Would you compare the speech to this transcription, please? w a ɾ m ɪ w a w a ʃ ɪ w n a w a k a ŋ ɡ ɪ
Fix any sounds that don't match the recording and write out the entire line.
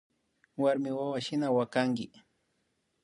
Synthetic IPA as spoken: w a ɾ m ɪ w a w a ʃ ɪ n a w a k a ŋ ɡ ɪ